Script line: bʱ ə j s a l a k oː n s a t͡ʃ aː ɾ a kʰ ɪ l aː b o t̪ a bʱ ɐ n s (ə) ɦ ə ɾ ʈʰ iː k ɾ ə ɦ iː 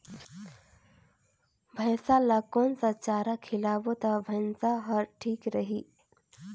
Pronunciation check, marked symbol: incorrect: a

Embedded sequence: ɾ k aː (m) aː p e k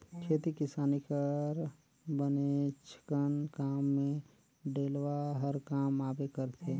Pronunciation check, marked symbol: correct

